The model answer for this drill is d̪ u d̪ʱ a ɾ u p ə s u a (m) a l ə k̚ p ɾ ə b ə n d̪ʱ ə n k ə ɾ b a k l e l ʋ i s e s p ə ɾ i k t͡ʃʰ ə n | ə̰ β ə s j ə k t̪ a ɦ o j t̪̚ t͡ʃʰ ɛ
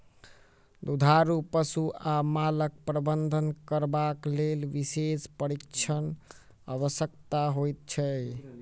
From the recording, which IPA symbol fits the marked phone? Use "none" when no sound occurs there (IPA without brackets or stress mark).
m